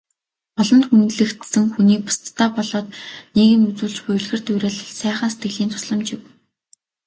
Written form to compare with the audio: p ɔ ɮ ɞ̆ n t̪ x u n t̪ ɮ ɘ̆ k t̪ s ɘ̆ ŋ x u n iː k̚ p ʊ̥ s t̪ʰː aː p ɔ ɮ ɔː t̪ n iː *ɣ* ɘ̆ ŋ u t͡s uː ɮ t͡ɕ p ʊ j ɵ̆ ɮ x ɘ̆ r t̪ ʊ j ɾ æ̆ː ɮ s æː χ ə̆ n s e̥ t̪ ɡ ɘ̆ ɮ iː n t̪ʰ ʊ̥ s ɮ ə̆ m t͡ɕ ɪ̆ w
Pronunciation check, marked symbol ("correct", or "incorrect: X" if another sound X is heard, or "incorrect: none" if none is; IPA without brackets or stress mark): correct